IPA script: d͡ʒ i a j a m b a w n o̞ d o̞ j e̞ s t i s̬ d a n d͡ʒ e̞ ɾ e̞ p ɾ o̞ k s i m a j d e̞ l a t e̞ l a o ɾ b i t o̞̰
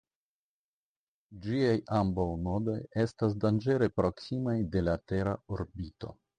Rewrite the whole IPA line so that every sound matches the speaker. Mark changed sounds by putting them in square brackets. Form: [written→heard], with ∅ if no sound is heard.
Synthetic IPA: d͡ʒ i a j a m b a w n o̞ d o̞ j e̞ s t [i→a] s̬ d a n d͡ʒ e̞ ɾ e̞ p ɾ o̞ k s i m a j d e̞ l a t e̞ [l→ɾ] a o ɾ b i t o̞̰